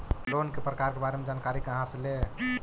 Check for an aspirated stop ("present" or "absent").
absent